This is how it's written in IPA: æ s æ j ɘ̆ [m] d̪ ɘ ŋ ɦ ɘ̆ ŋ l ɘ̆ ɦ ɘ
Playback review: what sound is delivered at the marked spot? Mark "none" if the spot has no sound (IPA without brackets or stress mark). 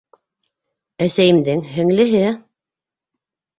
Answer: m